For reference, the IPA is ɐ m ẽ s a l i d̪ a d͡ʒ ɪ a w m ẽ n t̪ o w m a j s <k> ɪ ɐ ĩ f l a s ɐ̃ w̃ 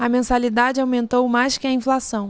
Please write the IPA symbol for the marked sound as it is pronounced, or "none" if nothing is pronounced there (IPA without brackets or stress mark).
k